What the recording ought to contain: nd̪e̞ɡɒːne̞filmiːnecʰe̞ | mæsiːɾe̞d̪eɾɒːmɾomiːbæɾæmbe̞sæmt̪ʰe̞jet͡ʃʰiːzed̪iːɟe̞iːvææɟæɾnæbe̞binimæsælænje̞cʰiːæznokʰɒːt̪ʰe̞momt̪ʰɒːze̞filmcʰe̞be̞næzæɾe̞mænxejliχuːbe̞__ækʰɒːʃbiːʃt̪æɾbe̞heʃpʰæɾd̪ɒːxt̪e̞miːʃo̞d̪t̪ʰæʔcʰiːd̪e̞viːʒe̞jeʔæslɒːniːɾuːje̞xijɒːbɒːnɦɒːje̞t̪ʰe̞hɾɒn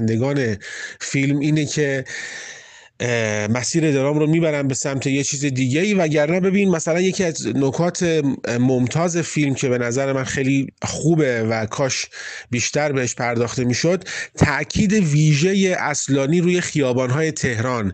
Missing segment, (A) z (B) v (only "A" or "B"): B